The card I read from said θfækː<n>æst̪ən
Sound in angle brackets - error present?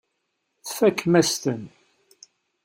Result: yes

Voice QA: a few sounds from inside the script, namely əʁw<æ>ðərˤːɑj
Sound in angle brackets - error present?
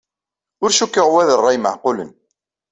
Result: no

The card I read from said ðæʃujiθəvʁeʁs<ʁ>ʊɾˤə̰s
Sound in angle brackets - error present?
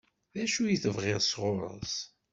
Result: no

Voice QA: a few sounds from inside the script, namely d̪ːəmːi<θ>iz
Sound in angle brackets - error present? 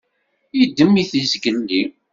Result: no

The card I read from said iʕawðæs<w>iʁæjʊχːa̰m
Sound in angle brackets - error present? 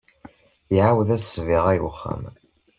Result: yes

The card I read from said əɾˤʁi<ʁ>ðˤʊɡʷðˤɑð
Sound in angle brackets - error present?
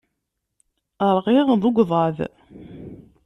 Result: no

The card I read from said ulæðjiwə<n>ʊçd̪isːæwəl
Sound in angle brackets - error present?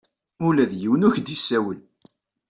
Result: no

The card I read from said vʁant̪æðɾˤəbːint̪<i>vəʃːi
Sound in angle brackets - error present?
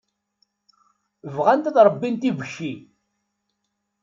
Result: no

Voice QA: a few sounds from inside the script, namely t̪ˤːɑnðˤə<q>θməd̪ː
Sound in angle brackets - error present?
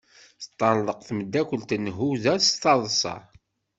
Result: no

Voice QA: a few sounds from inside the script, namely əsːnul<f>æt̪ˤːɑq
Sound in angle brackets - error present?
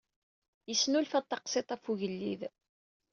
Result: no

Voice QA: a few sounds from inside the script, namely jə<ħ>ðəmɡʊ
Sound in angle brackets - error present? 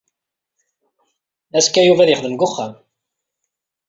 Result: yes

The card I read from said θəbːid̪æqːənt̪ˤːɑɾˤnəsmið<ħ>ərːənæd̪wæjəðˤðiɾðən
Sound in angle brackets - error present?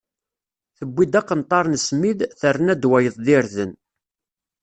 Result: yes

